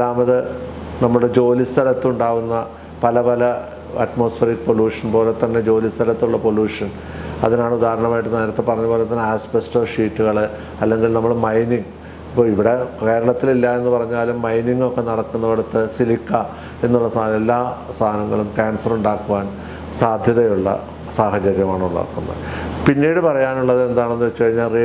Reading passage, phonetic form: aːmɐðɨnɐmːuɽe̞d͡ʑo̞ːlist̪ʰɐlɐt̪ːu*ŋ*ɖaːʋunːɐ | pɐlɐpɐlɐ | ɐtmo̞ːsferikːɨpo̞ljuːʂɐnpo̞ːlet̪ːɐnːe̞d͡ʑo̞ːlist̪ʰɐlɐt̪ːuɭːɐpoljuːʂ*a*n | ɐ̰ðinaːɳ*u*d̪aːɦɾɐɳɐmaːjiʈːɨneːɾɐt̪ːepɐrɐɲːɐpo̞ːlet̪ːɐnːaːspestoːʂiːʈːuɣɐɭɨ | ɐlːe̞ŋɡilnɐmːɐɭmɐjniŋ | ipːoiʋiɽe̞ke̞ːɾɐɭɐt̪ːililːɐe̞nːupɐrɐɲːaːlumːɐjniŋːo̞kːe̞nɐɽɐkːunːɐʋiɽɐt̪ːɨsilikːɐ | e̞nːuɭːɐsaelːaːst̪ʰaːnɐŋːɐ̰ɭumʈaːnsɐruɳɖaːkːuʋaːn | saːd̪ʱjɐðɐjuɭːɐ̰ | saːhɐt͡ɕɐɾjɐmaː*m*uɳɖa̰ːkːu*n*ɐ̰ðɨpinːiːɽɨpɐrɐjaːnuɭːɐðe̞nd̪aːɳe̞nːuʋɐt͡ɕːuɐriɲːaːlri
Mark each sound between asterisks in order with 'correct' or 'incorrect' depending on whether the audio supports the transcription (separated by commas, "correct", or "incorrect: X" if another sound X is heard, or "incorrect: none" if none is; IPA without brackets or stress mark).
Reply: incorrect: ɳ, incorrect: ɐ, correct, incorrect: ɳ, incorrect: nː